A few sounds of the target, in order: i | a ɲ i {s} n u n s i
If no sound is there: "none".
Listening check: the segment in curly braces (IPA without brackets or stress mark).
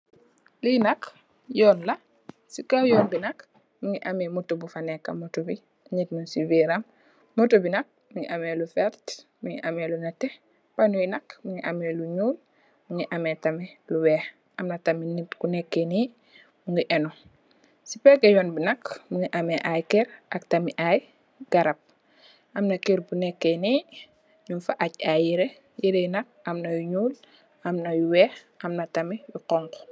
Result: t